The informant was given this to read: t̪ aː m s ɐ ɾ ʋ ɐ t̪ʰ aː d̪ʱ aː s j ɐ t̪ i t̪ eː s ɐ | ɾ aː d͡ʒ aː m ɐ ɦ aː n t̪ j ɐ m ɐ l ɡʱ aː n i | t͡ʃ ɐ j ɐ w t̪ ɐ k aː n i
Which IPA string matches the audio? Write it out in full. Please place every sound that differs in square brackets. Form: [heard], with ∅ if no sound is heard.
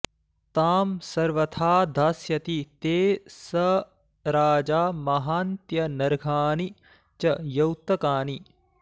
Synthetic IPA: t̪ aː m s ɐ ɾ ʋ ɐ t̪ʰ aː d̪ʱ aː s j ɐ t̪ i t̪ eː s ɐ | ɾ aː d͡ʒ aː m ɐ ɦ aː n t̪ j ɐ [n] ɐ [ɾ] ɡʱ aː n i | t͡ʃ ɐ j ɐ w t̪ ɐ k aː n i

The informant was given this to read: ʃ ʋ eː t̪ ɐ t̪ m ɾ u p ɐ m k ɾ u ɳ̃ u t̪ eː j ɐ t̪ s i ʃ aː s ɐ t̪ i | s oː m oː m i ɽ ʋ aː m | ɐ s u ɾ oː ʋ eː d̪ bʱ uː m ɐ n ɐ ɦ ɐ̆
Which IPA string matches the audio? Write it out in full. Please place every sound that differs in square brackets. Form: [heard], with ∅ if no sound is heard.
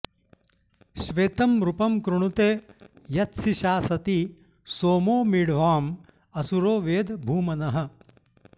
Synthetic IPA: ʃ ʋ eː t̪ ɐ [∅] m ɾ u p ɐ m k ɾ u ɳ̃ u t̪ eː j ɐ t̪ s i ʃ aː s ɐ t̪ i | s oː m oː m i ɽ ʋ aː m | ɐ s u ɾ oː ʋ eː d̪ bʱ uː m ɐ n ɐ ɦ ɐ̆

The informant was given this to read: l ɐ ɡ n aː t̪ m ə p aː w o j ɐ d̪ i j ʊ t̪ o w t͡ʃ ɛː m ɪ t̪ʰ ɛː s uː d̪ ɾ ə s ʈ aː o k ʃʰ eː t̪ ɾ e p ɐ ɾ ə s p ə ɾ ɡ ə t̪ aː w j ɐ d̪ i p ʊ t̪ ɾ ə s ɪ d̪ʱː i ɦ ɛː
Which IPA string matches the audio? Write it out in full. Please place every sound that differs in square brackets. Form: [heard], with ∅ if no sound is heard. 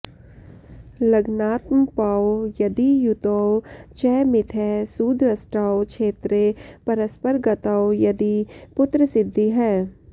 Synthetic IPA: l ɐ ɡ n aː t̪ m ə p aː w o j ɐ d̪ i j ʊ t̪ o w t͡ʃ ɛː m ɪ t̪ʰ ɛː s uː d̪ ɾ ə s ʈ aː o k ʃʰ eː t̪ ɾ e p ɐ ɾ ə s p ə ɾ ɡ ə t̪ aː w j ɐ d̪ i p ʊ t̪ ɾ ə s ɪ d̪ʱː i ɦ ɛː

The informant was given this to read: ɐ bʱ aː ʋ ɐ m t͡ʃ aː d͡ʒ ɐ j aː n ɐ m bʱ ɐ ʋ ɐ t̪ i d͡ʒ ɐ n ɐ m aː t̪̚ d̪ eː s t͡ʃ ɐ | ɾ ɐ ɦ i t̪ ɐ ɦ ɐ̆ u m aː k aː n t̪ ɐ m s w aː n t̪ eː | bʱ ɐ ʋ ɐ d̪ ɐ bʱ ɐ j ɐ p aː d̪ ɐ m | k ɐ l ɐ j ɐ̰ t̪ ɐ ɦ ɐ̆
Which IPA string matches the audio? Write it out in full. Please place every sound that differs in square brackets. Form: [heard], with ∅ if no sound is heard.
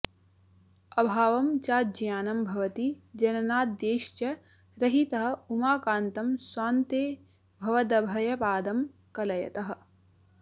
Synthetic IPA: ɐ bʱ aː ʋ ɐ m t͡ʃ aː d͡ʒ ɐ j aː n ɐ m bʱ ɐ ʋ ɐ t̪ i d͡ʒ ɐ n ɐ [n] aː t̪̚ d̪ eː [ʃ] t͡ʃ ɐ | ɾ ɐ ɦ i t̪ ɐ ɦ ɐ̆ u m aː k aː n t̪ ɐ m s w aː n t̪ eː | bʱ ɐ ʋ ɐ d̪ ɐ bʱ ɐ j ɐ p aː d̪ ɐ m | k ɐ l ɐ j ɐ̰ t̪ ɐ ɦ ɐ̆

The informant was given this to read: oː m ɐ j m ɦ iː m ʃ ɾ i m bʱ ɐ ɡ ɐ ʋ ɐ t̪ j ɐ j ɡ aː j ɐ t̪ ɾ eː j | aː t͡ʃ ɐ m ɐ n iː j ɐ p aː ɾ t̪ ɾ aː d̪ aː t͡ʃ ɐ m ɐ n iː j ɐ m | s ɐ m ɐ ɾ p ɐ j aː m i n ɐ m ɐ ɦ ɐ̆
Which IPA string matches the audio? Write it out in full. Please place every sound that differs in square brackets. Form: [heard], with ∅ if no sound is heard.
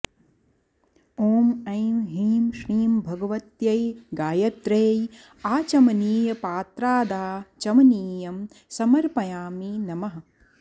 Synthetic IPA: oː m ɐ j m ɦ iː m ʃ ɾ [iː] m bʱ ɐ ɡ ɐ ʋ ɐ t̪ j ɐ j ɡ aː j ɐ t̪ ɾ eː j | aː t͡ʃ ɐ m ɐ n iː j ɐ p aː [∅] t̪ ɾ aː d̪ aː t͡ʃ ɐ m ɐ n iː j ɐ m | s ɐ m ɐ ɾ p ɐ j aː m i n ɐ m ɐ ɦ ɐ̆

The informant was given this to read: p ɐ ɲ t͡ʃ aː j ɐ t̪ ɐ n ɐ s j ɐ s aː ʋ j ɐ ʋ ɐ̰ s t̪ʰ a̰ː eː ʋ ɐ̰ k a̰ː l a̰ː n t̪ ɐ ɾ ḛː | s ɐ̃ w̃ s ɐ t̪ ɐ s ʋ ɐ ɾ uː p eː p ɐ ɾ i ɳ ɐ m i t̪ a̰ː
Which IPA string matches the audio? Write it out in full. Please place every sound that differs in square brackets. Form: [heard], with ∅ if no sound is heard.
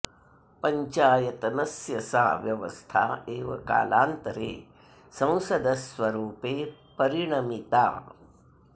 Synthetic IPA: p ɐ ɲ t͡ʃ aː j ɐ t̪ ɐ n ɐ s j ɐ s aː ʋ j ɐ ʋ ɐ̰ s t̪ʰ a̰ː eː ʋ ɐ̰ k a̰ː l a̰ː n t̪ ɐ ɾ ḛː | s ɐ̃ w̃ s ɐ [d̪] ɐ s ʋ ɐ ɾ uː p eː p ɐ ɾ i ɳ ɐ m i t̪ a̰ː

